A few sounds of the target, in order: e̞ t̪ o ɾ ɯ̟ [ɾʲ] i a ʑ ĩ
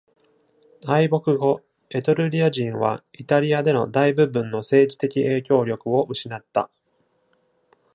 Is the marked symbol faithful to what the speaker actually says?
yes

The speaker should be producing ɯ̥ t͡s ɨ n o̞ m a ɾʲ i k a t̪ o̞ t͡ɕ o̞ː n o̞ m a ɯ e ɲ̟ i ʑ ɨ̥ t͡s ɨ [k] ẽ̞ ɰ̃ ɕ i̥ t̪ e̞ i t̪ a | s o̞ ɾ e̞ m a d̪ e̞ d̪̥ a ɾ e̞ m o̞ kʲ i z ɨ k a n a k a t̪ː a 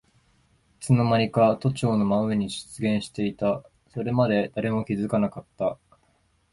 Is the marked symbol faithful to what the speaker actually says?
no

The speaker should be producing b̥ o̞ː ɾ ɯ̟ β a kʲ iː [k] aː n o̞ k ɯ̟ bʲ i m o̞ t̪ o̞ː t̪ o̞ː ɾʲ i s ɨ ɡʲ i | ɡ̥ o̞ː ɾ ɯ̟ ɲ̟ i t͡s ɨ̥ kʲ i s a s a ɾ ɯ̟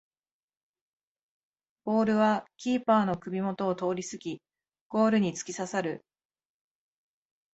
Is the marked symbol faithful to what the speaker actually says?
no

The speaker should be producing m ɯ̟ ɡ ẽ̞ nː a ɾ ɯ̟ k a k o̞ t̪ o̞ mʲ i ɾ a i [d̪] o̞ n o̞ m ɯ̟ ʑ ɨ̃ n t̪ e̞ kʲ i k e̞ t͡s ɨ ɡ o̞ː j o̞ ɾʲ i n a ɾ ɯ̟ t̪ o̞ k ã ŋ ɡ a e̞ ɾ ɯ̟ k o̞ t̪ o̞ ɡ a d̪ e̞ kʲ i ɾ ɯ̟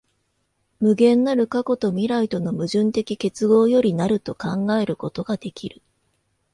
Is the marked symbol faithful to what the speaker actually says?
no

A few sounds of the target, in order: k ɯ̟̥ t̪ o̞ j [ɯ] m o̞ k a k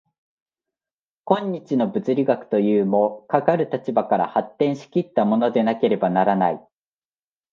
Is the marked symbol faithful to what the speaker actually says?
no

